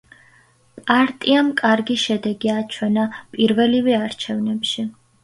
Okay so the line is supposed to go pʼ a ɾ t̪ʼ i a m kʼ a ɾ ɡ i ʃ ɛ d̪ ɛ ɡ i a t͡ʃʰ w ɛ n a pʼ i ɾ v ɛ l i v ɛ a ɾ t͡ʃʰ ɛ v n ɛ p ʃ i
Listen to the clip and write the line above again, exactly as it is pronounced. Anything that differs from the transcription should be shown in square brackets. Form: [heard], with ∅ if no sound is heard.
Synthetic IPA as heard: pʼ a ɾ t̪ʼ i a m kʼ a ɾ ɡ i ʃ ɛ d̪ ɛ ɡ i a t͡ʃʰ w ɛ n a pʼ i ɾ v ɛ l i v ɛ a ɾ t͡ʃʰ ɛ v n ɛ p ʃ i